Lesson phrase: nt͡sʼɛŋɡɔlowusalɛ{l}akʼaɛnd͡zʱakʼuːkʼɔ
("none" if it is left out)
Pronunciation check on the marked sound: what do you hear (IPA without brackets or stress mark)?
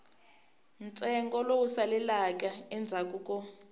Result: l